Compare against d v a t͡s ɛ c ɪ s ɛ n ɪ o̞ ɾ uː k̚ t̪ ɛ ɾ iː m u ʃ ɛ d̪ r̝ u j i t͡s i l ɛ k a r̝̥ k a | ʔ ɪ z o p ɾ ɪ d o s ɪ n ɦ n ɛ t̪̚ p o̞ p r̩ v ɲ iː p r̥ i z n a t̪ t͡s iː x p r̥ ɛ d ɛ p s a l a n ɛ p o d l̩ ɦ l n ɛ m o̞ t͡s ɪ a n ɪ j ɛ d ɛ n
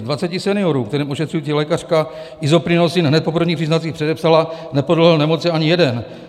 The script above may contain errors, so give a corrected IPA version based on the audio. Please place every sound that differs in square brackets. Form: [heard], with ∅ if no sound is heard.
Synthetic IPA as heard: d v a t͡s ɛ c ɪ s ɛ n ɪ o̞ ɾ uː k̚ t̪ ɛ ɾ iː m [o] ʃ ɛ [t̪] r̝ u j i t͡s i l ɛ k a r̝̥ k a | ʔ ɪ z o p ɾ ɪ [n] o s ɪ n ɦ n ɛ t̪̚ p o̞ p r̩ v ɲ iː p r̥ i z n a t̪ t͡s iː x p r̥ ɛ d ɛ p s a l a n ɛ p o d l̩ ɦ l n ɛ m o̞ t͡s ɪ a [ɲ] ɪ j ɛ d ɛ n